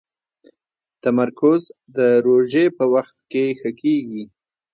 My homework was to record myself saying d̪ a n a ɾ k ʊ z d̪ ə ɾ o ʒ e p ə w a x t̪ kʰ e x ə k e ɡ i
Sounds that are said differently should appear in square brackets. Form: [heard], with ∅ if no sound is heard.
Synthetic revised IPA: [t̪] a [m] a ɾ k ʊ z d̪ ə ɾ o ʒ e p ə w a x t̪ [k] e x ə k e ɡ i